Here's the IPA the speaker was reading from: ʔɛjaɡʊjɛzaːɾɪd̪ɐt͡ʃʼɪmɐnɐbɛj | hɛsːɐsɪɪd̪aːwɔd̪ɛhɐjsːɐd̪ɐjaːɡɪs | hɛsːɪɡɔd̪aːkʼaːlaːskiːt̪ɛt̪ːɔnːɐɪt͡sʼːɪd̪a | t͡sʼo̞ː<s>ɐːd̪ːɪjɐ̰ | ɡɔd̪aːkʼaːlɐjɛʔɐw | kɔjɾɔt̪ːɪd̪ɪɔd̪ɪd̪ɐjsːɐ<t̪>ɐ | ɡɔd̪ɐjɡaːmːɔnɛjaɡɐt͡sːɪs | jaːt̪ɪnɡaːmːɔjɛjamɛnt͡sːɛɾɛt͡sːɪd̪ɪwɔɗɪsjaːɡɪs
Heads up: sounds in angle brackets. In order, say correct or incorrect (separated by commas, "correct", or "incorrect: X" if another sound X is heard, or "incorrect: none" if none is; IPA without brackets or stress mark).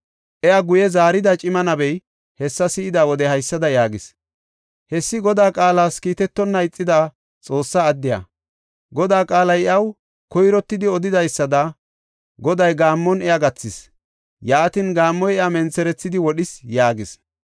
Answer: incorrect: sː, incorrect: d̪